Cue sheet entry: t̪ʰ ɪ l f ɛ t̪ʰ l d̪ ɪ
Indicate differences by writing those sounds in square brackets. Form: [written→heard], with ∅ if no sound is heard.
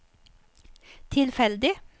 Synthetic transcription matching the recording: t̪ʰ ɪ l f ɛ [t̪ʰ→∅] l d̪ ɪ

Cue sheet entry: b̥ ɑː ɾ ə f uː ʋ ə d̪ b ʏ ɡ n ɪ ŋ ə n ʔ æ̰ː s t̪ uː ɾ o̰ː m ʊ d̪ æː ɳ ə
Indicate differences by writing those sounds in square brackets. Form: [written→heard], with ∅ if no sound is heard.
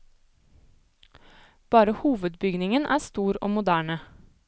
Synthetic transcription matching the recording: b̥ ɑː ɾ ə [f→h] uː ʋ ə d̪ b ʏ ɡ n ɪ ŋ ə n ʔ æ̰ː s t̪ uː ɾ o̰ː m ʊ d̪ æː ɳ ə

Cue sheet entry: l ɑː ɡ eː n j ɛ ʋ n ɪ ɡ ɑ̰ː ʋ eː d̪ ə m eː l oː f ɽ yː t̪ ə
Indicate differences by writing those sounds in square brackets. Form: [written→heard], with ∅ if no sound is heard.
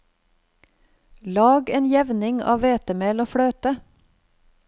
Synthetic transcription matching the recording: l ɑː ɡ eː n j ɛ ʋ n ɪ [ɡ→ŋ] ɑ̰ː ʋ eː [d̪→t̪] ə m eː l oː f ɽ [yː→øː] t̪ ə

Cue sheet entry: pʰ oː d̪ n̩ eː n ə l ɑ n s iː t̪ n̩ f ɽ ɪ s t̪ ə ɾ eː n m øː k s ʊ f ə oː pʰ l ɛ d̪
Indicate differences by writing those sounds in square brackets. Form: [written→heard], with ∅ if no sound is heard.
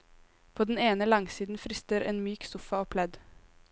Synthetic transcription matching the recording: pʰ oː d̪ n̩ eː n ə l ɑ [n→ŋ] s iː [t̪→d̪] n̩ f [ɽ→ɾ] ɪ s t̪ ə ɾ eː n m [øː→yː] k s ʊ f [ə→ɑ] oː pʰ l ɛ d̪

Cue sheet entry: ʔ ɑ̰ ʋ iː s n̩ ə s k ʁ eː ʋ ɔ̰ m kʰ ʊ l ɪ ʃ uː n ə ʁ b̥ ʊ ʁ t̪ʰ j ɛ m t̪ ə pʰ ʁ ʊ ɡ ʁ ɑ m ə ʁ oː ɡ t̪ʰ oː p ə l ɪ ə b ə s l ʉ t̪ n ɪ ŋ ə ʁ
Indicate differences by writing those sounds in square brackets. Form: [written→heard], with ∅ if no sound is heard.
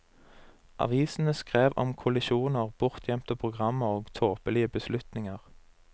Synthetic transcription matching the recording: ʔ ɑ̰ ʋ iː s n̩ ə s k ʁ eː ʋ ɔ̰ m kʰ ʊ l ɪ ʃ uː n ə ʁ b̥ ʊ ʁ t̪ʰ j ɛ m t̪ ə pʰ ʁ ʊ ɡ ʁ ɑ m ə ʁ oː ɡ t̪ʰ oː p ə l ɪ ə b ə s l ʉ t̪ n ɪ ŋ ə ʁ

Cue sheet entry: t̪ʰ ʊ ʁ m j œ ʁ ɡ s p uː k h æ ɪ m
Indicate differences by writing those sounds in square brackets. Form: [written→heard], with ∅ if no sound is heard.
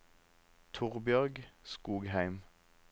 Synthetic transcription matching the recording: t̪ʰ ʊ ʁ [m→b] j œ ʁ ɡ s [p→k] uː [k→ɡ] h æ ɪ m

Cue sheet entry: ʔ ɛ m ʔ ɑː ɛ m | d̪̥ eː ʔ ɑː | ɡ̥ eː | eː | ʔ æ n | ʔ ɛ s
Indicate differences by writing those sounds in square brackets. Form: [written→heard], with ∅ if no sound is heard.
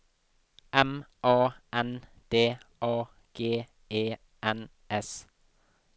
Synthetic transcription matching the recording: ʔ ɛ m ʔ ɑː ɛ [m→n] | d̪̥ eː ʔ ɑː | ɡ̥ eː | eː | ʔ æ n | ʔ ɛ s

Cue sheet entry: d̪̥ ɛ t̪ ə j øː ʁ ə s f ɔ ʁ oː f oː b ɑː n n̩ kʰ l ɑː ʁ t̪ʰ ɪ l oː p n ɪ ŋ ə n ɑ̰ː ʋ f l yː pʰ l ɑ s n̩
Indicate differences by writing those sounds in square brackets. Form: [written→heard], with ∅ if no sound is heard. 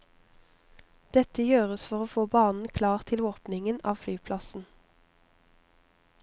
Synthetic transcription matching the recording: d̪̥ ɛ t̪ ə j øː ʁ ə s f ɔ ʁ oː f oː b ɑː n n̩ kʰ l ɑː ʁ t̪ʰ ɪ l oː p n ɪ ŋ ə n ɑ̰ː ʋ f l yː pʰ l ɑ s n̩

